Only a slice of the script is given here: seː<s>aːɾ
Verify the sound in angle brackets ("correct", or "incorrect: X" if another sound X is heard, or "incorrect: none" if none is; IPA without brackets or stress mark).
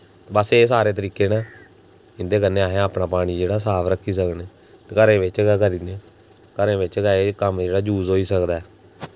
correct